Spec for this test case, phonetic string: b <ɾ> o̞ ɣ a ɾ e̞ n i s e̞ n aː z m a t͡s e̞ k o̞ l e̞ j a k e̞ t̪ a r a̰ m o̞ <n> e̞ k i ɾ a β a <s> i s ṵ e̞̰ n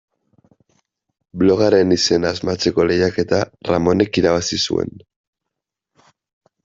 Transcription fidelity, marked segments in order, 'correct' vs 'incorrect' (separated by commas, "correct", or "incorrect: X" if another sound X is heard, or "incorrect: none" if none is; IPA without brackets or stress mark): incorrect: l, correct, correct